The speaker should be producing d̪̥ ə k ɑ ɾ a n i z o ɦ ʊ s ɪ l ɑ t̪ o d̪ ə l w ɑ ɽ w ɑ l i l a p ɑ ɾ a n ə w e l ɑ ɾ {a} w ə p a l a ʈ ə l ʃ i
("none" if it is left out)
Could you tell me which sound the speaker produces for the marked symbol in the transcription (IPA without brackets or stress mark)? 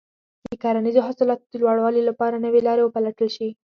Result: e